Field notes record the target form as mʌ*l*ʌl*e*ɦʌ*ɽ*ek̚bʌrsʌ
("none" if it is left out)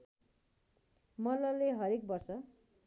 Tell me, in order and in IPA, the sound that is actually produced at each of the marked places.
l, e, ɾ

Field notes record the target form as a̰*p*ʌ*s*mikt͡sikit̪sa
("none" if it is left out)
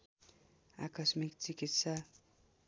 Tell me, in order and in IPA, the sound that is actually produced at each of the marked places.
k, s

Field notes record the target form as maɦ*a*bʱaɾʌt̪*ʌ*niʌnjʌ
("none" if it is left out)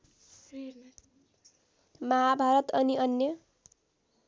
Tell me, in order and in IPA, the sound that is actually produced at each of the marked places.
a, ʌ

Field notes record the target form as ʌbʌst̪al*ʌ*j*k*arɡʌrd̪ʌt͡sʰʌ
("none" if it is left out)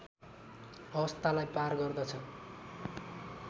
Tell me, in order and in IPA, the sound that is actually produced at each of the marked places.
a, p

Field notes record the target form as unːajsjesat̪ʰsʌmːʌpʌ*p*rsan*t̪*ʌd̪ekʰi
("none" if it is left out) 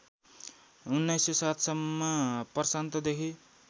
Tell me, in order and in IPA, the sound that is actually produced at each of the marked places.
none, t̪

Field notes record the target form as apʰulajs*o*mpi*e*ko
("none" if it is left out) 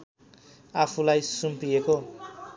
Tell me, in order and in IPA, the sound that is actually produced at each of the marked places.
u, e

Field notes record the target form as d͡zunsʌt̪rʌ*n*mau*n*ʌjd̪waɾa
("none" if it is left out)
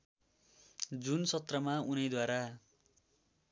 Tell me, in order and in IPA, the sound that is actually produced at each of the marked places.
none, n

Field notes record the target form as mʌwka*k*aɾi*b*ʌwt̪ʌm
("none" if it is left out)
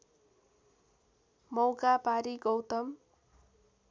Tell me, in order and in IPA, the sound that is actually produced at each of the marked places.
p, ɡ

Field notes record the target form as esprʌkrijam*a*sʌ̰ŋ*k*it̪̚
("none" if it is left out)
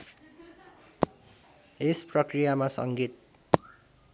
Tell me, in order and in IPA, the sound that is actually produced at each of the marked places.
a, ɡ

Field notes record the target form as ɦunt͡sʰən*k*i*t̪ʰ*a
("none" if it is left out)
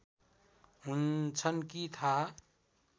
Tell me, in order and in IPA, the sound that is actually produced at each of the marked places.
k, t̪ʰ

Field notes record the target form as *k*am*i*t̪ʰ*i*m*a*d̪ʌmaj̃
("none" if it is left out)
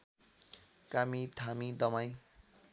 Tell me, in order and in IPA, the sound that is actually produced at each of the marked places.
k, i, a, i

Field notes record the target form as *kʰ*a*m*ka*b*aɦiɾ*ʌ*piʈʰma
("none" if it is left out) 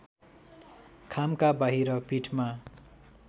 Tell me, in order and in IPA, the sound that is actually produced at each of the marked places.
kʰ, m, b, ʌ

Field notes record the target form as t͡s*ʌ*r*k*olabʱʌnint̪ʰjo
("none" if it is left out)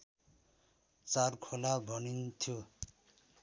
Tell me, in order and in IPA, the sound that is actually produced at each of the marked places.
a, kʰ

